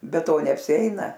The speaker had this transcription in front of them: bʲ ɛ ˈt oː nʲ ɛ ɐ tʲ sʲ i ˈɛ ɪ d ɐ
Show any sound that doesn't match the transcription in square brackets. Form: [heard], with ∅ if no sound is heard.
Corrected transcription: bʲ ɛ ˈt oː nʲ ɛ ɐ [pʲ] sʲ [ɪ] ˈɛ ɪ [n] ɐ

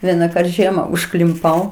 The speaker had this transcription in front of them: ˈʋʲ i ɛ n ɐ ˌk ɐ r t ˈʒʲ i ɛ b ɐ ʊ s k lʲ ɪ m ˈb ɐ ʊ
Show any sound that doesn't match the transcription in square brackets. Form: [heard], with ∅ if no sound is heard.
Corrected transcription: ˈʋʲ i ɛ n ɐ ˌk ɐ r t ˈʒʲ i ɛ [m] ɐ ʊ [ʃ] k lʲ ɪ m [ˈp] ɐ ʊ

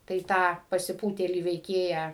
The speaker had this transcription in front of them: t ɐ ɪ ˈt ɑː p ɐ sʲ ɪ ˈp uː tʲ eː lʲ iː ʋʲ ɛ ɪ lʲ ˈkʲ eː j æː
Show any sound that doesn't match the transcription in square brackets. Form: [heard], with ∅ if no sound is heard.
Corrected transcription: t ɐ ɪ ˈt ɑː p ɐ sʲ ɪ ˈp uː tʲ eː lʲ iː ʋʲ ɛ ɪ [∅] ˈkʲ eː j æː

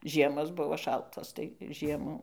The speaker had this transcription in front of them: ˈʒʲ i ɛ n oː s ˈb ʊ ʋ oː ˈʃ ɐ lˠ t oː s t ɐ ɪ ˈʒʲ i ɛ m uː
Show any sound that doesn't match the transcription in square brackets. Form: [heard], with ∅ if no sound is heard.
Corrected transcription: ˈʒʲ i ɛ [m] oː s ˈb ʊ ʋ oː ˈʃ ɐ lˠ t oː s t ɐ ɪ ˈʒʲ i ɛ m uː

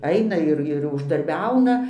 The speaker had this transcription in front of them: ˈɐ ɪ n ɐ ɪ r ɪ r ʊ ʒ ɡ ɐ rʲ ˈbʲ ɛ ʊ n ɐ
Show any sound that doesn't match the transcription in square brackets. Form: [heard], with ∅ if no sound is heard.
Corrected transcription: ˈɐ ɪ n ɐ ɪ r ɪ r ʊ ʒ [d] ɐ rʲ ˈbʲ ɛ ʊ n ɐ

